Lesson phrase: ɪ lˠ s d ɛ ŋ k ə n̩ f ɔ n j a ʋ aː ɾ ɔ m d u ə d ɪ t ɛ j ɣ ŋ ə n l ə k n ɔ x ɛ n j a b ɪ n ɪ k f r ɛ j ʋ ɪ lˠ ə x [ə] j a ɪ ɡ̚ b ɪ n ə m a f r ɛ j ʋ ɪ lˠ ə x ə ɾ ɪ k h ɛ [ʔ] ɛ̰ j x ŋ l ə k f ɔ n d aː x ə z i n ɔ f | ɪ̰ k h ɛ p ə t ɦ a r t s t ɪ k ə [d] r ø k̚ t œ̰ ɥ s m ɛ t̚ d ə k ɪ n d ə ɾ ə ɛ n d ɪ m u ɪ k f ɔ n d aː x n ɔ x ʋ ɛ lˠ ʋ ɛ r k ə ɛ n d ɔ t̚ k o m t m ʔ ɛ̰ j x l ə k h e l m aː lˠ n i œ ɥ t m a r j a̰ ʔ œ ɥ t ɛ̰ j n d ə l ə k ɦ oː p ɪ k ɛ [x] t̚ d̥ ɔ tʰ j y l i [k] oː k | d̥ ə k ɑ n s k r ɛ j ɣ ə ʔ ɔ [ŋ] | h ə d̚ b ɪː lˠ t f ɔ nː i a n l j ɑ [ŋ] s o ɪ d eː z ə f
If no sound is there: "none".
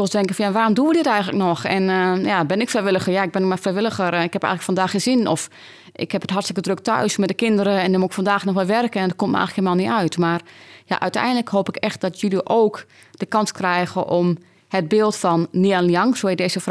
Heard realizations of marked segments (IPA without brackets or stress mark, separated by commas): ə, p, d, x, ʔ, m, ŋ